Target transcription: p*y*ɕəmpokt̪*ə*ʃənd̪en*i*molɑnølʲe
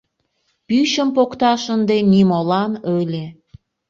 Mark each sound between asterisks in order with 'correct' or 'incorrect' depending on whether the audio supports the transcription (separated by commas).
correct, incorrect, correct